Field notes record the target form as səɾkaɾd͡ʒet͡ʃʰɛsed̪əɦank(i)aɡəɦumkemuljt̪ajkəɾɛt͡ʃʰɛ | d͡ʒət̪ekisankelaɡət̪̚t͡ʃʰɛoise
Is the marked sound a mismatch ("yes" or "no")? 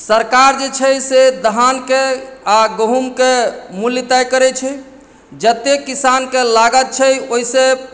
yes